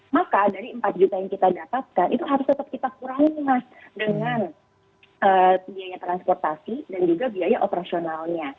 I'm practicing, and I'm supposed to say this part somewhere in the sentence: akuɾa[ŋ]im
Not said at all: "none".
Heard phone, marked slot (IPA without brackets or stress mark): ŋ